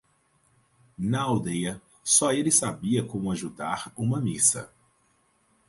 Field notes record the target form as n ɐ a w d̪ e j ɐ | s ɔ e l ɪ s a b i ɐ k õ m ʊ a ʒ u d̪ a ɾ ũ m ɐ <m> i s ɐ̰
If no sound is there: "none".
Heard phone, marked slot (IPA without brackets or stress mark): m